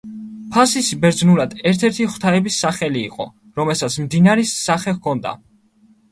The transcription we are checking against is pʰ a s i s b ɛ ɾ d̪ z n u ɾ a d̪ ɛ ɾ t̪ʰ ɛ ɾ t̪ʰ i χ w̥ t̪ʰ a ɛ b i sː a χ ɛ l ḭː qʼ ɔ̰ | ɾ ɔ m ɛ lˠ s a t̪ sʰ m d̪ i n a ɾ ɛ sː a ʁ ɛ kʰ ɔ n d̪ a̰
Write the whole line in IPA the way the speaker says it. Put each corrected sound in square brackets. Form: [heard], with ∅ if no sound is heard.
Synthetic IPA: pʰ a s i s b ɛ ɾ d̪ z n u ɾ a d̪ ɛ ɾ t̪ʰ ɛ ɾ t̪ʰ i χ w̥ t̪ʰ a ɛ b i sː a χ ɛ l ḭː qʼ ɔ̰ | ɾ ɔ m ɛ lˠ s a t̪ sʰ m d̪ i n a ɾ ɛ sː a [χ] ɛ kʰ ɔ n d̪ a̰